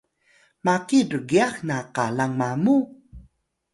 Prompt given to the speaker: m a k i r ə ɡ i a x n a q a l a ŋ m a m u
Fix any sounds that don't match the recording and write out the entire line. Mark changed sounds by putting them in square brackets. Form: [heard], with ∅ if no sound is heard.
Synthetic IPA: m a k i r ə ɡ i a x n a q a l a ŋ m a m u